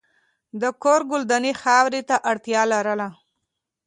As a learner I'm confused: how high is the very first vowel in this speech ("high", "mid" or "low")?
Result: mid